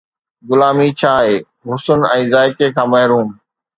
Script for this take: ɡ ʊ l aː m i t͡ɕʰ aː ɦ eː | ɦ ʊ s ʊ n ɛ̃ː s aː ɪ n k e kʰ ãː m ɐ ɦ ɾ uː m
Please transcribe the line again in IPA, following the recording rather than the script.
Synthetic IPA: ɡ ʊ l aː m i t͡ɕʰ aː ɦ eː | ɦ ʊ s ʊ n ɛ̃ː z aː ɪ k e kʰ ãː m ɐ ɦ ɾ uː m